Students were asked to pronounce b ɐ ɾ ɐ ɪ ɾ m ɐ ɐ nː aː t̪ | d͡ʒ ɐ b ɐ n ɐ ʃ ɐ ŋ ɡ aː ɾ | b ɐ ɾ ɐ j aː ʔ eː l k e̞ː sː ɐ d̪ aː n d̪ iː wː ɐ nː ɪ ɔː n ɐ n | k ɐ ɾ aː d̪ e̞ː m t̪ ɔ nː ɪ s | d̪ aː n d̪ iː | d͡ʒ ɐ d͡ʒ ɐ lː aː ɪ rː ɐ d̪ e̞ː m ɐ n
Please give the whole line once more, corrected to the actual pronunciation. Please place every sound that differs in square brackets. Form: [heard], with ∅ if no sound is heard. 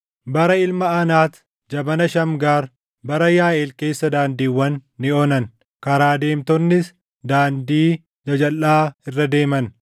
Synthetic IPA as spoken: b ɐ ɾ ɐ ɪ [l] m ɐ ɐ [n] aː t̪ | d͡ʒ ɐ b ɐ n ɐ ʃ ɐ [m] ɡ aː ɾ | b ɐ ɾ ɐ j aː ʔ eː l k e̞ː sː ɐ d̪ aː n d̪ iː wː ɐ nː ɪ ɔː n ɐ n | k ɐ ɾ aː d̪ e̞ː m t̪ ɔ nː ɪ s | d̪ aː n d̪ iː | d͡ʒ ɐ d͡ʒ ɐ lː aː ɪ rː ɐ d̪ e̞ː m ɐ n